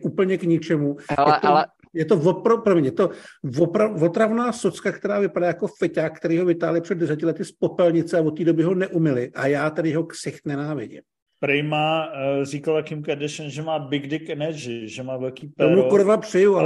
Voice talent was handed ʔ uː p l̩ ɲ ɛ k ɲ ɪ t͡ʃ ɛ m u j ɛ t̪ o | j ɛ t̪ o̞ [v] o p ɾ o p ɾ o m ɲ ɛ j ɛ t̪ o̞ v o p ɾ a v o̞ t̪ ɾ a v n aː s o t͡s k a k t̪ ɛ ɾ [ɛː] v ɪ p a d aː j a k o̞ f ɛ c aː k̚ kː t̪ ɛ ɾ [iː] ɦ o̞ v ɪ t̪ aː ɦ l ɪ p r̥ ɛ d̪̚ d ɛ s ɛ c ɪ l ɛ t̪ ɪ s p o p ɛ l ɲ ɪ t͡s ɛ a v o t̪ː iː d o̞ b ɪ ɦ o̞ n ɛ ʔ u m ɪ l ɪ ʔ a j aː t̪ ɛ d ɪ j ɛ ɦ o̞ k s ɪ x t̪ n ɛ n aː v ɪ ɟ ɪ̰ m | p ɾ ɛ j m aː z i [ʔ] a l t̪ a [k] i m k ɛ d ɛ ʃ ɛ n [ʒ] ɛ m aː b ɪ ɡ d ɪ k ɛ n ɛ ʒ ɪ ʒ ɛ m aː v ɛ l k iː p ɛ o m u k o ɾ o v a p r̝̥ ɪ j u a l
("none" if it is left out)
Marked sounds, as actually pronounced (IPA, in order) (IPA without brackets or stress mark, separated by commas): v, aː, iː, k, k, ʒ